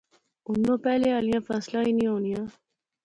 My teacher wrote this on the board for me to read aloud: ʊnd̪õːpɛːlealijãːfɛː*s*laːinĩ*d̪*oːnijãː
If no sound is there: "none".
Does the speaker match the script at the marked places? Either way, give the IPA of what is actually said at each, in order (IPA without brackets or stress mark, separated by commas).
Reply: s, none